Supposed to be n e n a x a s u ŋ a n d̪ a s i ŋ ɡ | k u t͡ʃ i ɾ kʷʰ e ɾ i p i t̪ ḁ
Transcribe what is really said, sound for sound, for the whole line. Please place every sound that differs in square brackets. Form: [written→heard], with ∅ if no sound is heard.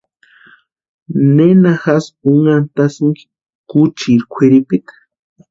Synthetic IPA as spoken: n e n a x a s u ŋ a n [d̪→t̪] a s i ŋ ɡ | k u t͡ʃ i ɾ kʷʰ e ɾ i p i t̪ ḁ